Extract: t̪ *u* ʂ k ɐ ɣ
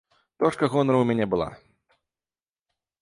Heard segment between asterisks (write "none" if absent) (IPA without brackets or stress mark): ɔ